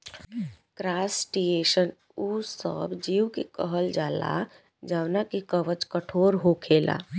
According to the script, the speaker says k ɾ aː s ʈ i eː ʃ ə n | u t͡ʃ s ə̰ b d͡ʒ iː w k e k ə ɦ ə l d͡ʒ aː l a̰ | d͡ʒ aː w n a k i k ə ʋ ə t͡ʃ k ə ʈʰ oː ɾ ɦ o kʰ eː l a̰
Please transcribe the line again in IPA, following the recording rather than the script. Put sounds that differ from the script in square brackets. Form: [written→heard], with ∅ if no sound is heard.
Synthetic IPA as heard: k ɾ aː s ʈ i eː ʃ ə n | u [t͡ʃ→∅] s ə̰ b d͡ʒ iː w k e k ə ɦ ə l d͡ʒ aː l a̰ | d͡ʒ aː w n a k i k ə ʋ ə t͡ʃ k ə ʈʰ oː ɾ ɦ o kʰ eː l a̰